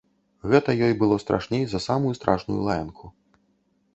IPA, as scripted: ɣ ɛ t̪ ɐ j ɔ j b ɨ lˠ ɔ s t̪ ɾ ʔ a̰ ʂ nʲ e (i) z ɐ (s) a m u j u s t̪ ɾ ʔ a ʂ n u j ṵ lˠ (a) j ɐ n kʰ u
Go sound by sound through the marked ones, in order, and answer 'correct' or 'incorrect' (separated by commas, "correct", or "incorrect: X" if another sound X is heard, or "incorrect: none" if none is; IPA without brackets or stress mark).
incorrect: j, correct, correct